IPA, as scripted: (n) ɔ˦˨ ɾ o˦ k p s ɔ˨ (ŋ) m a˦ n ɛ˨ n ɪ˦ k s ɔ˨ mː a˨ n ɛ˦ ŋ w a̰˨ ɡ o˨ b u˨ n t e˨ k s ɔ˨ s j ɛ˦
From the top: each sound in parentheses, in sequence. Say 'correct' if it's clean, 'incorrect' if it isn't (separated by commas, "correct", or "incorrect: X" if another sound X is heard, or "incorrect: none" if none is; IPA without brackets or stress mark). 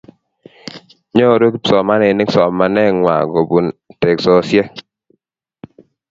incorrect: ɲ, incorrect: none